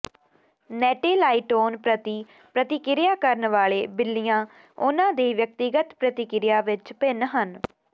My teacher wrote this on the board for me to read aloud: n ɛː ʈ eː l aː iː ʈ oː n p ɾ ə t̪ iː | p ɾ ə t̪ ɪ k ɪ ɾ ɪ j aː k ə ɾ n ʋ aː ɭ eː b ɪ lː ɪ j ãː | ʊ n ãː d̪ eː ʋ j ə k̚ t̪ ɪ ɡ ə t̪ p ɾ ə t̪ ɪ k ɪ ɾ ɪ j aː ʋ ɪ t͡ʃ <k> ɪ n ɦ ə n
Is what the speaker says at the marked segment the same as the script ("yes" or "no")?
no